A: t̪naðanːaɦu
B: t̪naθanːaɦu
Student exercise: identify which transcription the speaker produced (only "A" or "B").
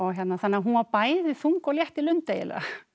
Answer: B